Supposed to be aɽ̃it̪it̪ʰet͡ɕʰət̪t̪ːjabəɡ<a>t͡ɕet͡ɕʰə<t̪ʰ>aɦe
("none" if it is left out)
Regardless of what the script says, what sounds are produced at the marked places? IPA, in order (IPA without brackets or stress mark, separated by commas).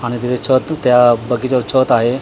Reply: i, t̪